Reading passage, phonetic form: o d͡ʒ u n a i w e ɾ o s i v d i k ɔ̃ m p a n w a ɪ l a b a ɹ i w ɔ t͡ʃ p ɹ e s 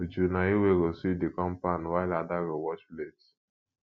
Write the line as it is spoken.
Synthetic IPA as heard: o d͡ʒ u n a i w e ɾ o s i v d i k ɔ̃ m p a n w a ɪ l a d a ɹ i w ɔ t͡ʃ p l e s